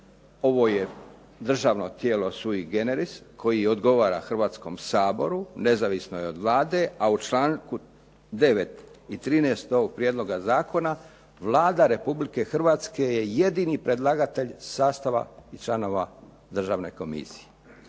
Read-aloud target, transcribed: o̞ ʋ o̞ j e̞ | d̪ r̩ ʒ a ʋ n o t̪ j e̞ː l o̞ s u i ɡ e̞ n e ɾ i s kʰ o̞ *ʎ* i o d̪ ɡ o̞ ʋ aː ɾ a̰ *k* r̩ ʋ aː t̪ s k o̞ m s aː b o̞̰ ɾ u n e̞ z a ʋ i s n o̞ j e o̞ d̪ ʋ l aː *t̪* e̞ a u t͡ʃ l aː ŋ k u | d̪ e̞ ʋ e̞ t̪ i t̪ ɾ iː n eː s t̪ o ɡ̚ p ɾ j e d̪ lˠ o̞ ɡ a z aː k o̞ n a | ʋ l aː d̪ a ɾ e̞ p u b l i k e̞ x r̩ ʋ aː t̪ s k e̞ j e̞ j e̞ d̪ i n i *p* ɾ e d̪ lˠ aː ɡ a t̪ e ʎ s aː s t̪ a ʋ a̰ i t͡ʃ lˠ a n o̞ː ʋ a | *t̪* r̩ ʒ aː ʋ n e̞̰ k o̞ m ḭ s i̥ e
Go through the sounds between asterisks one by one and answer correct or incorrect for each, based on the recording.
incorrect, incorrect, incorrect, correct, incorrect

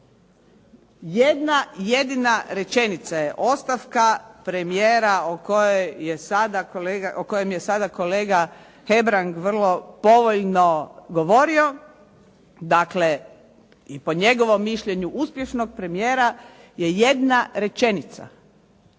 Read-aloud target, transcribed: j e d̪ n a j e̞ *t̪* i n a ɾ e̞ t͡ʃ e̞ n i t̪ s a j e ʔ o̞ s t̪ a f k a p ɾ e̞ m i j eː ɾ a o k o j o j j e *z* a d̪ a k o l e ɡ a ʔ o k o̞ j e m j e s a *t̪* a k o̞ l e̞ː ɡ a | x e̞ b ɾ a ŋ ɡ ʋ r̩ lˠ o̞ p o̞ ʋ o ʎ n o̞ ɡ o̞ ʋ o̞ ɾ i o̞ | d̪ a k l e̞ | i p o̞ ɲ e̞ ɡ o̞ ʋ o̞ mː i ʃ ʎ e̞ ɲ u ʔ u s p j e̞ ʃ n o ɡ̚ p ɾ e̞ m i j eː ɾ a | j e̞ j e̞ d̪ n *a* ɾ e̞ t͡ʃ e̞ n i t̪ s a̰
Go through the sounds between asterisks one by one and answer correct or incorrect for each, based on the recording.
incorrect, incorrect, incorrect, correct

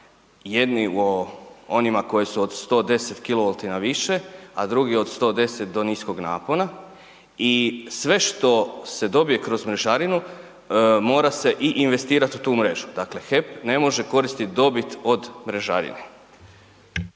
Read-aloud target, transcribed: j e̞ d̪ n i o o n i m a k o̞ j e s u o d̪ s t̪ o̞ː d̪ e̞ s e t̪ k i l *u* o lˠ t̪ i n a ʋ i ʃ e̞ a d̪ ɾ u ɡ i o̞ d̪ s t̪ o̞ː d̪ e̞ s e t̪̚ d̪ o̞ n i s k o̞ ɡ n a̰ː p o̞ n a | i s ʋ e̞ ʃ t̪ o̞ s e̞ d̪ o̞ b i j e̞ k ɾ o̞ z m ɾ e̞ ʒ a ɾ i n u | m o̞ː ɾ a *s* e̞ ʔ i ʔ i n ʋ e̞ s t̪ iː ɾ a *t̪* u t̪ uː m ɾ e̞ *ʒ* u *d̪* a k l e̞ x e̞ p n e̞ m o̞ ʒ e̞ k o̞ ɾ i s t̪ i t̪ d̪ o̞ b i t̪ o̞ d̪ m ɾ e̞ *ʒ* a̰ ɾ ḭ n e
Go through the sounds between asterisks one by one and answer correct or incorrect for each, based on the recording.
incorrect, correct, correct, correct, correct, correct

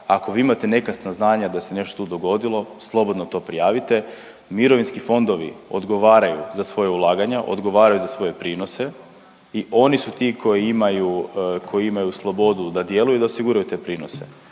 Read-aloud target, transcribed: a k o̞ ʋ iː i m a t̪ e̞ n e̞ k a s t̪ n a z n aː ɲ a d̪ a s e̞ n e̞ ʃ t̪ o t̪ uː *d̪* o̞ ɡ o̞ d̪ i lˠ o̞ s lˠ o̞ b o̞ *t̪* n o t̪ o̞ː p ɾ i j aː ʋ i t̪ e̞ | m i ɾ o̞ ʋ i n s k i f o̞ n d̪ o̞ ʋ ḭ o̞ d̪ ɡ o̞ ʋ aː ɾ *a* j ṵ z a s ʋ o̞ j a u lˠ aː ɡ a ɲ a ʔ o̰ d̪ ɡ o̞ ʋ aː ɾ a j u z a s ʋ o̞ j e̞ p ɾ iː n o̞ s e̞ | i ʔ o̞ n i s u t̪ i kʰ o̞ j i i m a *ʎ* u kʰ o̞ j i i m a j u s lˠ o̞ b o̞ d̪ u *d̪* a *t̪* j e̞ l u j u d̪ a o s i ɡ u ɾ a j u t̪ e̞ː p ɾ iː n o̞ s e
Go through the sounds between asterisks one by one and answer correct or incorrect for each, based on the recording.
correct, incorrect, correct, incorrect, correct, incorrect

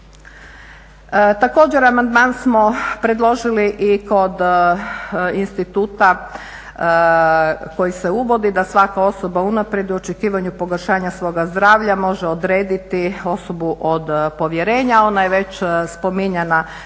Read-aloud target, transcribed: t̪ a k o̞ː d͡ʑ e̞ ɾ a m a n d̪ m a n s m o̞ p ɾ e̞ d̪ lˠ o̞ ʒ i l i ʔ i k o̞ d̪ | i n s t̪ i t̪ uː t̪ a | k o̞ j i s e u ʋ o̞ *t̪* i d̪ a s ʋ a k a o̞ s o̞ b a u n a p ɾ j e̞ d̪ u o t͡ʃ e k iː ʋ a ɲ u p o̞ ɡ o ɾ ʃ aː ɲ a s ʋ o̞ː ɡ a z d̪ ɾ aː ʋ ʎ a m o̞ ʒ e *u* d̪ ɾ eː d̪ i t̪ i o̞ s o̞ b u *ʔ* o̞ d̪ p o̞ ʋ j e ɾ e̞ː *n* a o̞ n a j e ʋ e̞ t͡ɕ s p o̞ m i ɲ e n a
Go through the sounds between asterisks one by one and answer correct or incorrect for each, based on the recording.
incorrect, incorrect, correct, incorrect

